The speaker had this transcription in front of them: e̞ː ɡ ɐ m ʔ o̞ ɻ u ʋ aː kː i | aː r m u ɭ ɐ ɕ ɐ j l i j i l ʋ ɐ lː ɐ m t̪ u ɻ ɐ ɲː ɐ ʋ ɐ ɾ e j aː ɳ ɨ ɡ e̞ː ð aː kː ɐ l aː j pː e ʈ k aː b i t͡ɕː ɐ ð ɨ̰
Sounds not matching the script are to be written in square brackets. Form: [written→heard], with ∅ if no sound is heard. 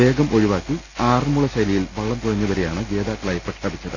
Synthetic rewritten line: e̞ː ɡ ɐ m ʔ o̞ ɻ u ʋ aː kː i | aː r m u ɭ ɐ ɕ ɐ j l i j i l ʋ ɐ [lː→ɭː] ɐ m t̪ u ɻ ɐ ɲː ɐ ʋ ɐ ɾ e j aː ɳ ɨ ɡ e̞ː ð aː kː ɐ [l→ɭ] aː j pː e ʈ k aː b i t͡ɕː ɐ ð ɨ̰